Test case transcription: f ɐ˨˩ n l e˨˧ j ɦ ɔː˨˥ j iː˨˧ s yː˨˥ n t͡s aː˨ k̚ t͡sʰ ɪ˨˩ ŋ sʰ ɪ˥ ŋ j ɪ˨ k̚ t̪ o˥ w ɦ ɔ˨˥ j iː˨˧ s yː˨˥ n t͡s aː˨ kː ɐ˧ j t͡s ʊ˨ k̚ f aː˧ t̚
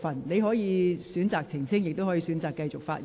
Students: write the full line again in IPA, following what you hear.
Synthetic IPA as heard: f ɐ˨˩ n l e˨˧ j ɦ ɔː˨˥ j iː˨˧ s yː˨˥ n t͡s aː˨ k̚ t͡sʰ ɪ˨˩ ŋ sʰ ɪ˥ ŋ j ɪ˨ k̚ t̪ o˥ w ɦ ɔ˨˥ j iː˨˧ s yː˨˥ n t͡s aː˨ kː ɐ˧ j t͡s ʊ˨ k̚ f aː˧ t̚